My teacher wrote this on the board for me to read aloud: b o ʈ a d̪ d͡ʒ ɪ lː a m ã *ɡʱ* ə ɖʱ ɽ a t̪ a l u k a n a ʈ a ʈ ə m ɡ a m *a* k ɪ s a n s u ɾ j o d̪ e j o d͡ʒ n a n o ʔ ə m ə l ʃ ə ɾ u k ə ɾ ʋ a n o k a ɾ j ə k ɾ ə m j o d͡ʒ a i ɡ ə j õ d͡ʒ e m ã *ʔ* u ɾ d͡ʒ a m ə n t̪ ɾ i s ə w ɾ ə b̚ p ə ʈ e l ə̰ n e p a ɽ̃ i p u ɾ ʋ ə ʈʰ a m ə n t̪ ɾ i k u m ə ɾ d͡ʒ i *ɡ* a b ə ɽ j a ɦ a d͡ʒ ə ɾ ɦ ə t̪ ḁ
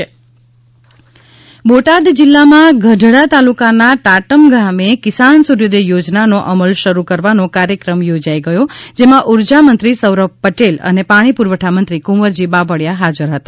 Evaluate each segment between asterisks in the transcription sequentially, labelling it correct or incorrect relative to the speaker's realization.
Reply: correct, incorrect, correct, incorrect

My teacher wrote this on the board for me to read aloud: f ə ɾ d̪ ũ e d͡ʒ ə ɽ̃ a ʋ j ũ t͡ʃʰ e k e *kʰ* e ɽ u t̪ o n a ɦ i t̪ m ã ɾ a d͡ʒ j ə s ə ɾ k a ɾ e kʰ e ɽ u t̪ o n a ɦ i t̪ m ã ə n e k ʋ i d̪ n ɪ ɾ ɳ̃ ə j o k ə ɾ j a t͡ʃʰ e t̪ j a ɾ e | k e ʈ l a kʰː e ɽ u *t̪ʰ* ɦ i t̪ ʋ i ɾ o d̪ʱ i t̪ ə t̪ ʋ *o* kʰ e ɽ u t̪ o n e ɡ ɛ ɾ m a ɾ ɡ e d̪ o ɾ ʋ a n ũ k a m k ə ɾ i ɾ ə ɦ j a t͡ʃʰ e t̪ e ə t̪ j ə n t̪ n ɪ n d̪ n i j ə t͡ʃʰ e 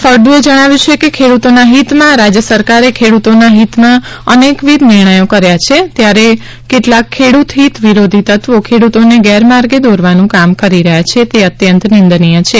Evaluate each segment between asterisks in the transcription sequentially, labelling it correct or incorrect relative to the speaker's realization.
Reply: correct, incorrect, correct

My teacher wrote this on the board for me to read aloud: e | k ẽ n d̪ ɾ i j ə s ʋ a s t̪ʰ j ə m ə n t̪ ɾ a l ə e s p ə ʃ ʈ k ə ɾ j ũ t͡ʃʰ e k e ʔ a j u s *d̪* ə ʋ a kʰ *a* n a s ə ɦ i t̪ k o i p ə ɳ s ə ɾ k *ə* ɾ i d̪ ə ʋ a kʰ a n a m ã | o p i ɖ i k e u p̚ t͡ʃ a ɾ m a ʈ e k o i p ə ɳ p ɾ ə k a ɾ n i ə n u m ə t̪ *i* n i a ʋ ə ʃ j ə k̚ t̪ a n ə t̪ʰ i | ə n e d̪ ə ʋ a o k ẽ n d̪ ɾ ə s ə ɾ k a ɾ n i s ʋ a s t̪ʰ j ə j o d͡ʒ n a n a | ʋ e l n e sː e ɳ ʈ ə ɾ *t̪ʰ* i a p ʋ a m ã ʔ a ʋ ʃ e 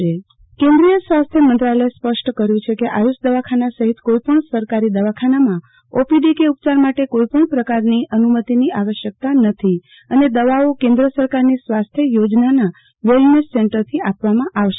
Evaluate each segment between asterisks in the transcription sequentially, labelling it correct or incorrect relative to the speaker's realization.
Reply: correct, correct, incorrect, correct, correct

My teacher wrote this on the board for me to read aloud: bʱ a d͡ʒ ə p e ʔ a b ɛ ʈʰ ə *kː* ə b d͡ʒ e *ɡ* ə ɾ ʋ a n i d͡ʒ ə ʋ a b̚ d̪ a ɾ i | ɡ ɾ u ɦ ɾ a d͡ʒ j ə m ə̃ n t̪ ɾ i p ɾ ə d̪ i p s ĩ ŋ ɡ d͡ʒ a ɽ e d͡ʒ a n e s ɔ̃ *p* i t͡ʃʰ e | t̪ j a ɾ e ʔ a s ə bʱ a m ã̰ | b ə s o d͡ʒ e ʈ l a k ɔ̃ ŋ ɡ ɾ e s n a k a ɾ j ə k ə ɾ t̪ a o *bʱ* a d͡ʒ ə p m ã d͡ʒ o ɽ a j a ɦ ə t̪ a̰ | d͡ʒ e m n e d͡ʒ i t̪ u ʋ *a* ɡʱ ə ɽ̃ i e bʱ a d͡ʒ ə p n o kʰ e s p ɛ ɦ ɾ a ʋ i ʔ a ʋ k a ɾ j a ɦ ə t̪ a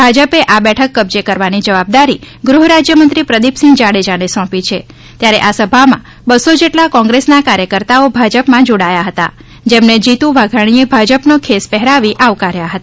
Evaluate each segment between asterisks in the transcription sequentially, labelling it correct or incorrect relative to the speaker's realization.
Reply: correct, incorrect, correct, correct, correct

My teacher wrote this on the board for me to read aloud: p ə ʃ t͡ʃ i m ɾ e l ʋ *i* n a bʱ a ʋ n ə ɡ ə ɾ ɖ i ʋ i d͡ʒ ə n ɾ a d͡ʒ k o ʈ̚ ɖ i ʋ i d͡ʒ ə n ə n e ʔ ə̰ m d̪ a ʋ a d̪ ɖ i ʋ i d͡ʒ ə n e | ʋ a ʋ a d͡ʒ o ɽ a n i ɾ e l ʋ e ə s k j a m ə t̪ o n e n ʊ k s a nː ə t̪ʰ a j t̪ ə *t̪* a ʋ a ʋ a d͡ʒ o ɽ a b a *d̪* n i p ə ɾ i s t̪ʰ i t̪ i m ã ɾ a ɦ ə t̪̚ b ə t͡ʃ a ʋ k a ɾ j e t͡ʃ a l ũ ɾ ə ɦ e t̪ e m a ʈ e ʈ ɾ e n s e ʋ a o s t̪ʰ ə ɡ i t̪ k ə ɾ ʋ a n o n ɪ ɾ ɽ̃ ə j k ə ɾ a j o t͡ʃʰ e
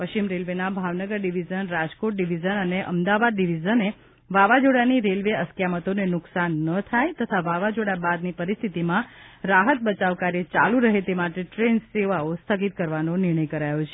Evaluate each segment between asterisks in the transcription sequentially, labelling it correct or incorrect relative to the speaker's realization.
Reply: incorrect, incorrect, correct

